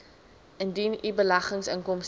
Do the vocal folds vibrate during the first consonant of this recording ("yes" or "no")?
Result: yes